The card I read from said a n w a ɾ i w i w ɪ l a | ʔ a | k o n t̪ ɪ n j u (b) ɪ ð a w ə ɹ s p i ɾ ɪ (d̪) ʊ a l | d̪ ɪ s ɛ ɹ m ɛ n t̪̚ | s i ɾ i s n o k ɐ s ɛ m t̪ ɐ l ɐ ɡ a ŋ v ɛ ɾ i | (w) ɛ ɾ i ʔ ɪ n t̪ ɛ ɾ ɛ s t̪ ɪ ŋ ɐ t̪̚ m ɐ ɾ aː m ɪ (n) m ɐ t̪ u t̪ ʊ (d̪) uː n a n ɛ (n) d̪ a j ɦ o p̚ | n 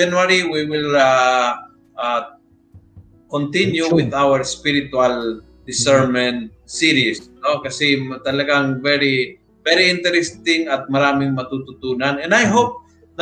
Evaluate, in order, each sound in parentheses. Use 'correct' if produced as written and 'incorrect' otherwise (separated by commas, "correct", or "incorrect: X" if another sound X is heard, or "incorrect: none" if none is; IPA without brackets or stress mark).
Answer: incorrect: w, incorrect: t̪, incorrect: v, incorrect: ŋ, incorrect: t̪, correct